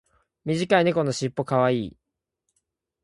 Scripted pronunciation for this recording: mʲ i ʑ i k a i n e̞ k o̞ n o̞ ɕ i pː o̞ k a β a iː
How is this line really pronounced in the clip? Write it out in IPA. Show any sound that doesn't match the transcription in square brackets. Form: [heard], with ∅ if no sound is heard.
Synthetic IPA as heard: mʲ i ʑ i k a i n e̞ k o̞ n o̞ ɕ i pː o̞ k a β a iː